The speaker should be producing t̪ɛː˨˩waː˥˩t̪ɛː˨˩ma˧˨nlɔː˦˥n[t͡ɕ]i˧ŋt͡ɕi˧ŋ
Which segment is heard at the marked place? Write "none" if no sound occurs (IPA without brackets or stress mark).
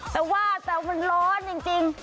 t͡ɕ